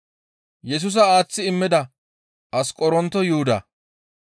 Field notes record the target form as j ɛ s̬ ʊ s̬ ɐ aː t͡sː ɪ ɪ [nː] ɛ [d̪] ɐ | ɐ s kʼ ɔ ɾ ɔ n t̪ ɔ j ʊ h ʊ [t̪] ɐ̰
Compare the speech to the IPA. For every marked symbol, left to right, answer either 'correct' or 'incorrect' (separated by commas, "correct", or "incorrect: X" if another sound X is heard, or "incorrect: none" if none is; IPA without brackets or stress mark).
incorrect: mː, correct, incorrect: d̪